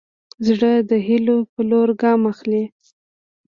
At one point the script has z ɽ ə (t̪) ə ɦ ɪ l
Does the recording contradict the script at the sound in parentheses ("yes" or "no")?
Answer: yes